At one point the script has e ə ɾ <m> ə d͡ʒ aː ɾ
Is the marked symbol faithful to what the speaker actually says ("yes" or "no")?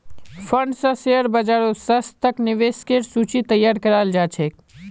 no